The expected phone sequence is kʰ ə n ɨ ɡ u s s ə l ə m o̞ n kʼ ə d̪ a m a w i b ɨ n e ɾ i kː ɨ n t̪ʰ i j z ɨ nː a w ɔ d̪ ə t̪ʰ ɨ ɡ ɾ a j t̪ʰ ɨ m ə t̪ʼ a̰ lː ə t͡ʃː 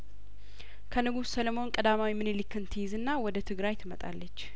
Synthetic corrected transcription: kʰ ə n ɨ ɡ u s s ə l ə m o̞ n kʼ ə d̪ a m a w i m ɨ n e l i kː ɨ n t̪ʰ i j z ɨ nː a w ɔ d̪ ə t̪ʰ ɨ ɡ ɾ a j t̪ʰ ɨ m ə t̪ʼ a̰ lː ə t͡ʃː